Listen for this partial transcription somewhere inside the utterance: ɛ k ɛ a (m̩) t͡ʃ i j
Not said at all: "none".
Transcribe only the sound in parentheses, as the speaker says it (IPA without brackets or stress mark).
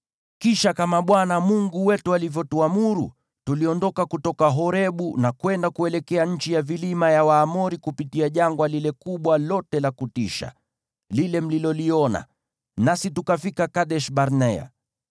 ɲ̩